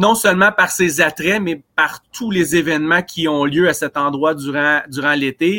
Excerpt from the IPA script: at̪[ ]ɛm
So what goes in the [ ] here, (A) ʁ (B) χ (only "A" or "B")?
A